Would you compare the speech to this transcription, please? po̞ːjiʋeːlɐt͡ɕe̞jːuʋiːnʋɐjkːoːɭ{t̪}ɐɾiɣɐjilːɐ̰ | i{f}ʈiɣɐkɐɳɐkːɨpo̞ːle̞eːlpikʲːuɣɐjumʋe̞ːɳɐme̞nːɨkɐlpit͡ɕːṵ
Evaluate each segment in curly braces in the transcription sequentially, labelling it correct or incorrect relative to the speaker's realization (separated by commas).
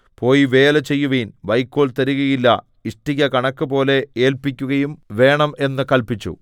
correct, incorrect